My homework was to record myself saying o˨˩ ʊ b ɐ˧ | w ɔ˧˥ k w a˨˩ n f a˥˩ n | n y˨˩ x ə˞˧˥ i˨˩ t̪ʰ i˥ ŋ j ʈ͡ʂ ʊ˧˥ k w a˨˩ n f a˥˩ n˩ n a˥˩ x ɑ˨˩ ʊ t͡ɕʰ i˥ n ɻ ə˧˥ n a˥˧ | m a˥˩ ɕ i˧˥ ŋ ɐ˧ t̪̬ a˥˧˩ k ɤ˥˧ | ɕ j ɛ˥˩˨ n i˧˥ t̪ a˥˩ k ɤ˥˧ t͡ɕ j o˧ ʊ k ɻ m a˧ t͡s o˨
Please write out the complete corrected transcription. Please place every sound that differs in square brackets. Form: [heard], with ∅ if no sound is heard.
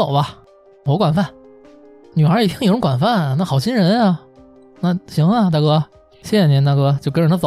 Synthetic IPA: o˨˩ ʊ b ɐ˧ | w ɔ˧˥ k w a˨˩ n f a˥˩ n | n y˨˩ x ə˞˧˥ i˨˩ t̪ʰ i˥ ŋ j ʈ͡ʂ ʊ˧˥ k w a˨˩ n f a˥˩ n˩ n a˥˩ x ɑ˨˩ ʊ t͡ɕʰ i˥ n ɻ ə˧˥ n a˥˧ | [n] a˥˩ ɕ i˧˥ ŋ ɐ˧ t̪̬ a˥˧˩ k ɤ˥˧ | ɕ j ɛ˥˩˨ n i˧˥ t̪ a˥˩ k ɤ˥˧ t͡ɕ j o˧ ʊ k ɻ [n] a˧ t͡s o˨